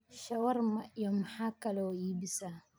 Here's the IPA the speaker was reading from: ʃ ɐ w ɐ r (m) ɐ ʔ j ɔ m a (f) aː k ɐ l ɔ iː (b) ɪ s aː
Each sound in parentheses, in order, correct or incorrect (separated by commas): correct, incorrect, correct